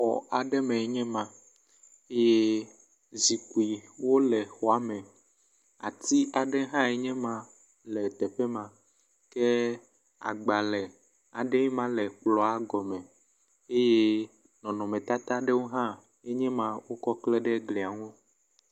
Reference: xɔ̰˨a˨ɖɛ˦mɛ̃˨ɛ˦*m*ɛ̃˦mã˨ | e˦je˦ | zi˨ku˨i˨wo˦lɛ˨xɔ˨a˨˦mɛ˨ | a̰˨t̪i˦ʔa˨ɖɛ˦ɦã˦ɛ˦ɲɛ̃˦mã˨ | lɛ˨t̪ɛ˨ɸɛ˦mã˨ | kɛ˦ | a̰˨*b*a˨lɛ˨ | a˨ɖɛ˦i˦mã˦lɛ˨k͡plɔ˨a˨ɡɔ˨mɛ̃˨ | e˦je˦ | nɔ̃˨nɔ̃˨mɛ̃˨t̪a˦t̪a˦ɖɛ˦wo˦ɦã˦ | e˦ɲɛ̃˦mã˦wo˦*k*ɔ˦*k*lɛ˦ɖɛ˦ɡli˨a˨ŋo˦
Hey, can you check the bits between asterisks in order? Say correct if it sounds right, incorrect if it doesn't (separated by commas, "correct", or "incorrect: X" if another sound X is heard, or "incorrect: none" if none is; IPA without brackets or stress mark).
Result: incorrect: ɲ, incorrect: ɡ͡b, correct, correct